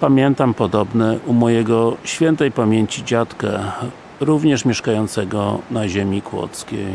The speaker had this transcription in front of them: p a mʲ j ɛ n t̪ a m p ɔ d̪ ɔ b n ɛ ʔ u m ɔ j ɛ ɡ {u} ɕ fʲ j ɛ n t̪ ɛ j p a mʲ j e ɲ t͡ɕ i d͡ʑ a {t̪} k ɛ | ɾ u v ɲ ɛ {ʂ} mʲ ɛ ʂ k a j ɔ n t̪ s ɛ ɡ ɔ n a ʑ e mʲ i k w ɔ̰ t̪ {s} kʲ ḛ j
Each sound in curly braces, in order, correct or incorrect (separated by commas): incorrect, correct, correct, correct